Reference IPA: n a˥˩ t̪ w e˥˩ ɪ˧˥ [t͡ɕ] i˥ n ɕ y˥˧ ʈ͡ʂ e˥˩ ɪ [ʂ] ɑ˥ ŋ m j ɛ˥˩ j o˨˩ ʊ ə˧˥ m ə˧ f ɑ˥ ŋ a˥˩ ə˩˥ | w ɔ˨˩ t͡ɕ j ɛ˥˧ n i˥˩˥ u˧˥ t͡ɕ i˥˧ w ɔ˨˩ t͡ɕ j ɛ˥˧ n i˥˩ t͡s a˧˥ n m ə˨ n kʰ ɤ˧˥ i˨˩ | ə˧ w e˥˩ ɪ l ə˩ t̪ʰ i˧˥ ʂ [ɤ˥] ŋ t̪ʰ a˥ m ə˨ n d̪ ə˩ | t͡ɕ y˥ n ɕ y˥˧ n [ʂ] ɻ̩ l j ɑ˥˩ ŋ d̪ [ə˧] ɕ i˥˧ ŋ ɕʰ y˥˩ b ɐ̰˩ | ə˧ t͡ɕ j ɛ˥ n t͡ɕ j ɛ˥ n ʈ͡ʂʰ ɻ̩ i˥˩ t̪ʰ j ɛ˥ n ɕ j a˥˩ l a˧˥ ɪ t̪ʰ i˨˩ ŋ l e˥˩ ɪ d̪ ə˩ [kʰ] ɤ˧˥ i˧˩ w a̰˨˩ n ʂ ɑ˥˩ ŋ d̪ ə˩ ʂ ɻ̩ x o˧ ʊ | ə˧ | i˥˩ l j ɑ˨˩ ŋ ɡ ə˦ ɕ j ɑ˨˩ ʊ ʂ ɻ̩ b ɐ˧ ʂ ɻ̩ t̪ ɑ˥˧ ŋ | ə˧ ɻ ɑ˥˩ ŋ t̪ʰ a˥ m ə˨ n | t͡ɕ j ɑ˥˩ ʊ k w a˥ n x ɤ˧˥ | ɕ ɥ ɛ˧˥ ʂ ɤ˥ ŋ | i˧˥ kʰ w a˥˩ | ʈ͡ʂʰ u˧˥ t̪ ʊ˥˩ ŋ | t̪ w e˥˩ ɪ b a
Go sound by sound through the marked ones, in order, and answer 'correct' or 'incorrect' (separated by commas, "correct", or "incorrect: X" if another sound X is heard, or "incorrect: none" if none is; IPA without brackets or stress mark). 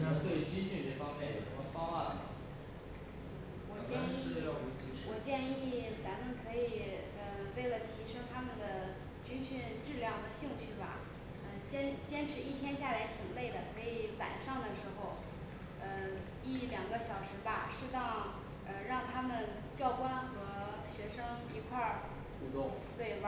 correct, incorrect: f, correct, incorrect: ʈ͡ʂ, incorrect: ə˩, correct